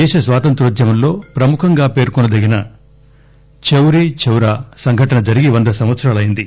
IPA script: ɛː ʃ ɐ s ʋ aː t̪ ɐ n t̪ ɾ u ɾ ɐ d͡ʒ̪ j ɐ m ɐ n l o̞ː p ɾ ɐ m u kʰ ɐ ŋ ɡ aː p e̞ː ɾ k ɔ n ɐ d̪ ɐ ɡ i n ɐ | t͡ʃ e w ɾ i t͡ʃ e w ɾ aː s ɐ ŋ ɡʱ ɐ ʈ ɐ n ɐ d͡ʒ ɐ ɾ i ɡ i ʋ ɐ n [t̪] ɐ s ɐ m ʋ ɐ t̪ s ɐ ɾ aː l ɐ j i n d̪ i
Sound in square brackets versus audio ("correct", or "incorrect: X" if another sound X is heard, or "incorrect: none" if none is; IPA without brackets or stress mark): incorrect: d̪